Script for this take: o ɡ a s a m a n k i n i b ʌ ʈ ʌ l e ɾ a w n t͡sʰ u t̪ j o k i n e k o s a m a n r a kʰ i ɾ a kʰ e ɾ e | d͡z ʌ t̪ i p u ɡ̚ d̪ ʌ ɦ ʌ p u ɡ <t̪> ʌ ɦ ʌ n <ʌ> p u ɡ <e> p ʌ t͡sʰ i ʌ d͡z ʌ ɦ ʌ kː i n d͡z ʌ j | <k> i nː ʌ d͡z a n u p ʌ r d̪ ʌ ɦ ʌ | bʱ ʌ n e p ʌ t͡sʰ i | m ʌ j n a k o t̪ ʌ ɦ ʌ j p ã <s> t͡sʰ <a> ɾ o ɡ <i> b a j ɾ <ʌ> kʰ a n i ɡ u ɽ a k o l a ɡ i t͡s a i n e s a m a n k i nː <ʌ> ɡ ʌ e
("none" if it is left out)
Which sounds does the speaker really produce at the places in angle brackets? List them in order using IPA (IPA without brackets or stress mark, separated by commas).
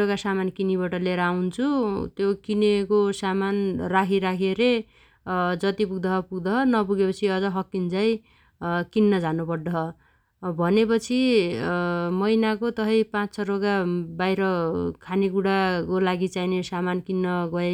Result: d̪, ʌ, e, k, t͡s, ʌ, a, ʌ, ʌ